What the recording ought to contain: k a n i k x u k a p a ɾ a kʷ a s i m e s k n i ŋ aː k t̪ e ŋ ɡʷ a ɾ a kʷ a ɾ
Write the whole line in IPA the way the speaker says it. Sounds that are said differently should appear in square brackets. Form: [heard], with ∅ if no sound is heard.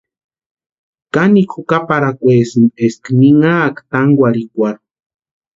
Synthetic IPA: k a n i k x u k a p a ɾ a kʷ [e] s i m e s k n i ŋ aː k t̪ [a] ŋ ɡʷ a ɾ [i] kʷ a ɾ

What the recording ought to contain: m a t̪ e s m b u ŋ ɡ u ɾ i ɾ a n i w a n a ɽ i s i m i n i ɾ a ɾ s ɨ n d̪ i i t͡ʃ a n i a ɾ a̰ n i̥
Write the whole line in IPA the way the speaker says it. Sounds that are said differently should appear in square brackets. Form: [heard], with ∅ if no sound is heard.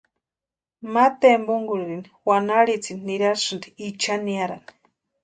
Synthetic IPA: m a t̪ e [∅] m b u ŋ ɡ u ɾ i ɾ [i] n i w a n a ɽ i [t͡s] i [n] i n i ɾ a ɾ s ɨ n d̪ i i t͡ʃ a n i a ɾ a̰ n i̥

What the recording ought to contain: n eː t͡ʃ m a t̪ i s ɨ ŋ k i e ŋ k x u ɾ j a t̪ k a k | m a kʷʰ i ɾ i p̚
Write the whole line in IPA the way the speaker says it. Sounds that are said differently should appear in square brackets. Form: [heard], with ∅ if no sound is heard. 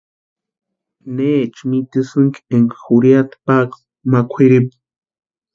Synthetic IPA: n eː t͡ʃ m [i] t̪ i s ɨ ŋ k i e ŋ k x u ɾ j a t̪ [p] a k | m a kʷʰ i ɾ i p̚

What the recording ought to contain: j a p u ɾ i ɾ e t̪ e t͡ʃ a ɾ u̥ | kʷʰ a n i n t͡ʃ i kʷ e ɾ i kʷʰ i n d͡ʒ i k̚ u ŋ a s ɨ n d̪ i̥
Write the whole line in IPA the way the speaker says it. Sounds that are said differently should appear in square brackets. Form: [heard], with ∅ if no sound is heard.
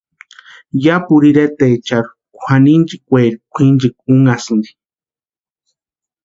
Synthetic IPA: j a p u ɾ i ɾ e t̪ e t͡ʃ a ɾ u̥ | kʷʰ a n i n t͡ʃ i kʷ e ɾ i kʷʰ i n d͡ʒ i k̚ u ŋ a s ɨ n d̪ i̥

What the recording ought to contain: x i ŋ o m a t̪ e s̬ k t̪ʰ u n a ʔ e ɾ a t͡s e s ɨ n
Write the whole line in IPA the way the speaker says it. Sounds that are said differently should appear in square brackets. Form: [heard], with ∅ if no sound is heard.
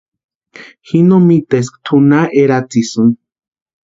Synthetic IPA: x i [n] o m [i] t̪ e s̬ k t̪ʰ u n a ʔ e ɾ a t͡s [i] s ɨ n

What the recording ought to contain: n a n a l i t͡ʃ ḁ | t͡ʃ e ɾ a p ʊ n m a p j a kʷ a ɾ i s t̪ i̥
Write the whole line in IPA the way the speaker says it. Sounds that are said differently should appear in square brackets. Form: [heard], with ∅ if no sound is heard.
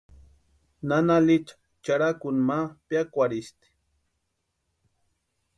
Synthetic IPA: n a n a l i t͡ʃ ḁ | t͡ʃ [a] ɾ a [k] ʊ n m a p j a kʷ a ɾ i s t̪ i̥

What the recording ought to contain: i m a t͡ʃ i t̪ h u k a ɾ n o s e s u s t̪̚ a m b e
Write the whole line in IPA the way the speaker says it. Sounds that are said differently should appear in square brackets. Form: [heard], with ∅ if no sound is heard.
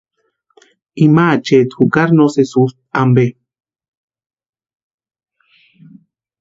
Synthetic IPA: i m a t͡ʃ [e] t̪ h u k a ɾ n o s e s u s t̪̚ a m b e

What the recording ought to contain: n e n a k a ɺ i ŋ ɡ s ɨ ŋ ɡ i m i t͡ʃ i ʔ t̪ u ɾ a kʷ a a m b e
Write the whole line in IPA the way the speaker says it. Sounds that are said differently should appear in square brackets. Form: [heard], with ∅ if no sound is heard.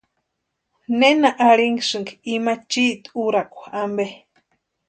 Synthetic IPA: n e n a [ʔ] a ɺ i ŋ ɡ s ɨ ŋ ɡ i m [a] t͡ʃ i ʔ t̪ u ɾ a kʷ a a m b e

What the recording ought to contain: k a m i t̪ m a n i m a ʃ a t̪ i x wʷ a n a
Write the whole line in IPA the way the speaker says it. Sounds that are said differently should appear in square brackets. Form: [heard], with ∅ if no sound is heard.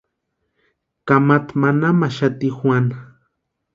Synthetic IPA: k a m [a] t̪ m a n [a] m a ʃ a t̪ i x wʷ a n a

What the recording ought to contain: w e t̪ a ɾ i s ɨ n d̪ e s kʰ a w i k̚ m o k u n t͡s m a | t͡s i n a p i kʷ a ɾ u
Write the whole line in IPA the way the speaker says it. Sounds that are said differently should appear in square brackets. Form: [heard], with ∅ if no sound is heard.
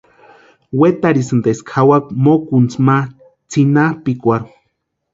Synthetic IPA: w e t̪ a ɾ i s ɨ n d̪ e s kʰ a w [a] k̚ m o k u n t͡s m a | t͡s i n a p i kʷ a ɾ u

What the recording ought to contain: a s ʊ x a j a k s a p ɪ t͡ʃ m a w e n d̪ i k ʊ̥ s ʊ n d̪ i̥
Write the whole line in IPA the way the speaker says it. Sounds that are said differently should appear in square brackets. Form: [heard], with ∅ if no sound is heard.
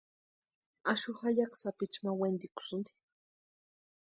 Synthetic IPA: a [ʃ] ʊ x a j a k s a p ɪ t͡ʃ m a w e n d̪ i k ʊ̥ s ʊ n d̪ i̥

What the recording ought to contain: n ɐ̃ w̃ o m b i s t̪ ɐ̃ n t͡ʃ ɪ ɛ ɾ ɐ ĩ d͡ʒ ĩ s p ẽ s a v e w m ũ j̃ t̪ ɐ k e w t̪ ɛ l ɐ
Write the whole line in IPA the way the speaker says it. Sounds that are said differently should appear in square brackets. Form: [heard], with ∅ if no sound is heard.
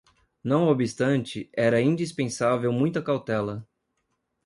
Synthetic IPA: n ɐ̃ w̃ o [∅] b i s t̪ ɐ̃ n t͡ʃ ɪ ɛ ɾ ɐ ĩ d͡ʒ [i] s p ẽ s a v e w m ũ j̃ t̪ ɐ k [a] w t̪ ɛ l ɐ

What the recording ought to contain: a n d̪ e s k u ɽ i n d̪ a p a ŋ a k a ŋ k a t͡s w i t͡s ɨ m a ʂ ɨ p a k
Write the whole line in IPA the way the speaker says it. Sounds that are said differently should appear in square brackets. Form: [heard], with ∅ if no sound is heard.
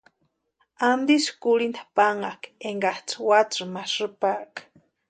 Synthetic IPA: a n d̪ [i] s k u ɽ i n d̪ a p a ŋ a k [e] ŋ [ɡ] a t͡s w [a] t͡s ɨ m a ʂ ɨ p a k

